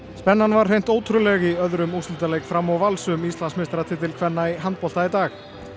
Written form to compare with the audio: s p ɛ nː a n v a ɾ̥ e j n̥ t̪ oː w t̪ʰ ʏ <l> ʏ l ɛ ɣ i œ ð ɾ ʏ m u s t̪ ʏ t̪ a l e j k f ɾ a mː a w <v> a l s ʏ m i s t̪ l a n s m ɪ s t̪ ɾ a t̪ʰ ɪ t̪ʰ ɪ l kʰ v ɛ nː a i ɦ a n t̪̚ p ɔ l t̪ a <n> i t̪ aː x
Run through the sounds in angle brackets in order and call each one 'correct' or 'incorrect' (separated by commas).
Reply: incorrect, correct, incorrect